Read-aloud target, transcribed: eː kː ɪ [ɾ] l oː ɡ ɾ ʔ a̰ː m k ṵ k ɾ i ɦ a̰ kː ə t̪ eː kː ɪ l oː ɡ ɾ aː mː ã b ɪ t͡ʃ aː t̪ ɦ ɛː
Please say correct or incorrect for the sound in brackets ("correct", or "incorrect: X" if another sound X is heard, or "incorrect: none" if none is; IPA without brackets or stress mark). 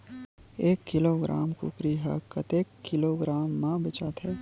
incorrect: none